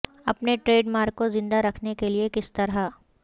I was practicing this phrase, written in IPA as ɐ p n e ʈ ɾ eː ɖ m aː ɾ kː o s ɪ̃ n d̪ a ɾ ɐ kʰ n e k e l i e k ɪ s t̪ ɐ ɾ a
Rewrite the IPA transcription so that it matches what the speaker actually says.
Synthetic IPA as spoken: ɐ p n e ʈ ɾ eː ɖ m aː ɾ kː o z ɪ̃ n d̪ a ɾ ɐ kʰ n e k e l i e k ɪ s t̪ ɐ ɾ a